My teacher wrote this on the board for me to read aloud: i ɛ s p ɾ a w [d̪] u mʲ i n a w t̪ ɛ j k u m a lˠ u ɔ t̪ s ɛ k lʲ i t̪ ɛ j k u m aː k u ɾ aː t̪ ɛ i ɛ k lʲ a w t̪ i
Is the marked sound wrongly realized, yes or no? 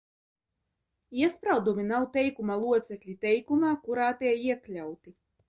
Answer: no